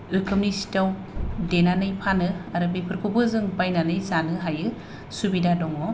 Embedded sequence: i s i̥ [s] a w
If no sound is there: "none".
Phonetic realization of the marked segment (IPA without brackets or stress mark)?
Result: t